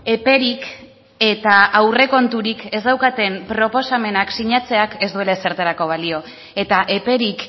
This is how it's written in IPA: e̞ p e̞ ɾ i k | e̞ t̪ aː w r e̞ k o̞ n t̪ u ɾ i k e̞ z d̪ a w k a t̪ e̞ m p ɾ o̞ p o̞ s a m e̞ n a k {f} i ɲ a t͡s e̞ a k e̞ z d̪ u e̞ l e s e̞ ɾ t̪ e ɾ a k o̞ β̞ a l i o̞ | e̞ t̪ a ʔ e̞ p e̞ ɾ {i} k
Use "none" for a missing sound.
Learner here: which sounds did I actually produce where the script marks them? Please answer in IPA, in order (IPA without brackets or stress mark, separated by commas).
s, i